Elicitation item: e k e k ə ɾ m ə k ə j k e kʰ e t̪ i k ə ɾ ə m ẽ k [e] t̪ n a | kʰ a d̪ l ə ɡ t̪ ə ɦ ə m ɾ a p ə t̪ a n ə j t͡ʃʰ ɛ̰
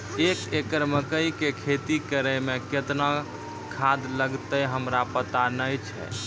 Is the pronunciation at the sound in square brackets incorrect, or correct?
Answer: correct